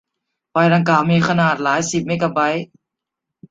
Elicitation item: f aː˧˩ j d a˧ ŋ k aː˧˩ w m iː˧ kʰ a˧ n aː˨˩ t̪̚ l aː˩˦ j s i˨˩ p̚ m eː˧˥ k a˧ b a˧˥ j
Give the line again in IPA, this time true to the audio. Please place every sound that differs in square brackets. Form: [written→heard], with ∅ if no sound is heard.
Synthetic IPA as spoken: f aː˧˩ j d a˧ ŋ k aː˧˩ w m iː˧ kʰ a˧ n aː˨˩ t̪̚ l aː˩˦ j s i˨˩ p̚ m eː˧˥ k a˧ b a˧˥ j